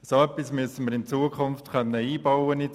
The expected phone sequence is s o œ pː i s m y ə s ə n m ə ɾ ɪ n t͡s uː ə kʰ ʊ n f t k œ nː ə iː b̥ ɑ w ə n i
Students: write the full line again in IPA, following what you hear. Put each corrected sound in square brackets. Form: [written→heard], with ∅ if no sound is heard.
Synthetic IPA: s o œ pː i s m y ə s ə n m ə ɾ ɪ n t͡s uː ə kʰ ʊ n f t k œ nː ə iː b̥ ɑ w ə n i